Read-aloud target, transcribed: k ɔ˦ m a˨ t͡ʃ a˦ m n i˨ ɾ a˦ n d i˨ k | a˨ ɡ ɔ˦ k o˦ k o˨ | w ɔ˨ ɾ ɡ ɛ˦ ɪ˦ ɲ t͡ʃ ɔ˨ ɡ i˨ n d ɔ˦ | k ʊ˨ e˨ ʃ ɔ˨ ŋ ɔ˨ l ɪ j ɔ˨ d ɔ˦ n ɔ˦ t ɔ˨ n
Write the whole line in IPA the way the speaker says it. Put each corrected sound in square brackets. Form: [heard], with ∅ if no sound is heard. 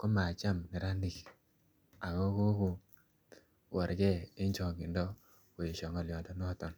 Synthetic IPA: k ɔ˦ m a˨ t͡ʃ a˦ m n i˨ ɾ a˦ n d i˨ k | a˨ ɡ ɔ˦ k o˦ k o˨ | w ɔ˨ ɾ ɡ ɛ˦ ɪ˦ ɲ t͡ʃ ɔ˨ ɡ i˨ n d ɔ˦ | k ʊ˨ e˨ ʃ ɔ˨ ŋ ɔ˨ l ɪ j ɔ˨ d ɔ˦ n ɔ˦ t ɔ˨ n